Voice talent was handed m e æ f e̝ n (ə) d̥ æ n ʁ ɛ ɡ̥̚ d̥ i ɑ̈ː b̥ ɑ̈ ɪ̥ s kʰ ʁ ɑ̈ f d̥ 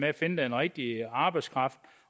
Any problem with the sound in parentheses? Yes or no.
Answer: no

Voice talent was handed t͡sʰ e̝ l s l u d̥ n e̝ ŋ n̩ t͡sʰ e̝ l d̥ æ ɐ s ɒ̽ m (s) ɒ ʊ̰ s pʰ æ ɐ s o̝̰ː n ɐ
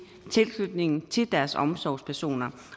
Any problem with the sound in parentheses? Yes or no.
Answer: no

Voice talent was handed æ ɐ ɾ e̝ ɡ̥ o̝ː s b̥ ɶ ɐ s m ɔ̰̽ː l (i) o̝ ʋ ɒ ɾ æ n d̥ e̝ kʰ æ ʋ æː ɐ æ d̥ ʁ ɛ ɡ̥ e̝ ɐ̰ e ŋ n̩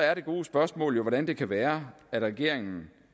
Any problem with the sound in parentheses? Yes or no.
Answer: yes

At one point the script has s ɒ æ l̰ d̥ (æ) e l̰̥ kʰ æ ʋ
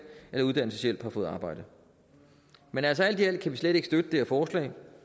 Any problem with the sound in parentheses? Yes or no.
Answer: yes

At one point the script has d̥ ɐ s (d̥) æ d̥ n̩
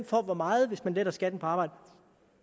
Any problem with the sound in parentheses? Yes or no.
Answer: yes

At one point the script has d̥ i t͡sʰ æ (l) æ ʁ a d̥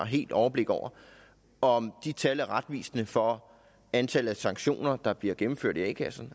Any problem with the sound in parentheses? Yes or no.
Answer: no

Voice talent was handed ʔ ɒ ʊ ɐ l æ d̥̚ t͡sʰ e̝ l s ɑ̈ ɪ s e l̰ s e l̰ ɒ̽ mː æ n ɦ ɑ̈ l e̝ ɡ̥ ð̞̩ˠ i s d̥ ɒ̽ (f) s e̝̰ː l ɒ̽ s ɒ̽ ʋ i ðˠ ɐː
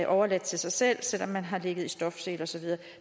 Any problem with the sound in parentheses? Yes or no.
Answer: no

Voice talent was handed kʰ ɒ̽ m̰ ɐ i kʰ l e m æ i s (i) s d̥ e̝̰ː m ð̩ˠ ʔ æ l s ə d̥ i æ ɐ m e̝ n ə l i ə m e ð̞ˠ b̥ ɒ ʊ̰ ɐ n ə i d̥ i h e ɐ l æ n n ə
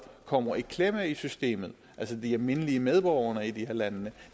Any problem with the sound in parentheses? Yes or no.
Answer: yes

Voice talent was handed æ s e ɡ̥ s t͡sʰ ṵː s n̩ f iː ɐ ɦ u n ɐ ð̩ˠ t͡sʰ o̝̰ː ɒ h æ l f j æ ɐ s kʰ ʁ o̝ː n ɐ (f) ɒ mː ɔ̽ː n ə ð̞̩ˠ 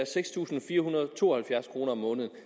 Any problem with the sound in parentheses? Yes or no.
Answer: yes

